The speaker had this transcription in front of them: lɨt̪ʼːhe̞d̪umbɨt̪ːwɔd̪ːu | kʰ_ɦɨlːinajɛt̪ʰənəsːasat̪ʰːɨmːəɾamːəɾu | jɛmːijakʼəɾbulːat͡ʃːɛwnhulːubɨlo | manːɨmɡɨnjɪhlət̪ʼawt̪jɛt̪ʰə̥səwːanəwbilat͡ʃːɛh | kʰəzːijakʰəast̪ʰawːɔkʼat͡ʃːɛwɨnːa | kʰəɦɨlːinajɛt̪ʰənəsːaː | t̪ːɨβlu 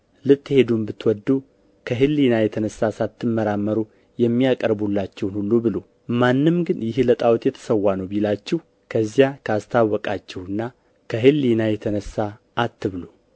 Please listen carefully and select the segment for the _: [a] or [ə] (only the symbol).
ə